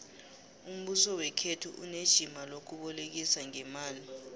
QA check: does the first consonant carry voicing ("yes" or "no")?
yes